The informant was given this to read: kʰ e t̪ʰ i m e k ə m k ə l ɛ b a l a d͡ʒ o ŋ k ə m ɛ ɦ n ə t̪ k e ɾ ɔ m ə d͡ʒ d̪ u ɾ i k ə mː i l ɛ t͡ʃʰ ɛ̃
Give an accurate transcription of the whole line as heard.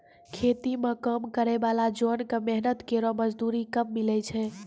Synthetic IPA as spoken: kʰ e t̪ i m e k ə m k ə ɾ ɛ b a l a d͡ʒ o n k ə m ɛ ɦ n ə t̪ k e ɾ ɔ m ə d͡ʒ d̪ u ɾ i k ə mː i l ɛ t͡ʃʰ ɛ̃